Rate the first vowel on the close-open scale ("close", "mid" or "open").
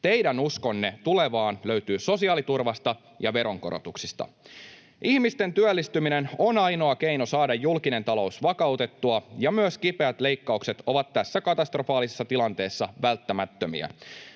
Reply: mid